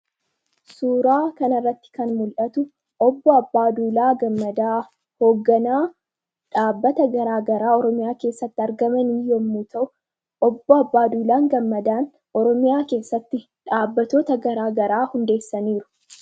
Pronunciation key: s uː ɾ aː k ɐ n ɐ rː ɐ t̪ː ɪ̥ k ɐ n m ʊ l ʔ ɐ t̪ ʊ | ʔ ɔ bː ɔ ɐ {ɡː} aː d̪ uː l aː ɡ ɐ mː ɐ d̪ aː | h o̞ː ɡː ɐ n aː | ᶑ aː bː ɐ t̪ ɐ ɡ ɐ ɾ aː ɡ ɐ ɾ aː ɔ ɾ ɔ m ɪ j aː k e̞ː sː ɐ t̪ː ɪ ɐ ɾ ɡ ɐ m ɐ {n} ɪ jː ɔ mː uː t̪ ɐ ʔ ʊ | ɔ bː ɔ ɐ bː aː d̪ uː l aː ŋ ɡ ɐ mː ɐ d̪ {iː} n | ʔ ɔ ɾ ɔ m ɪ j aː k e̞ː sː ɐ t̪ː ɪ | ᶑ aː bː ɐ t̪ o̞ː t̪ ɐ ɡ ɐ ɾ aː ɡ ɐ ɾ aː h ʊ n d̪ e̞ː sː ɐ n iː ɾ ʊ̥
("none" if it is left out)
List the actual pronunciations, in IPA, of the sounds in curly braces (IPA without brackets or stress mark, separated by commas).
bː, n, aː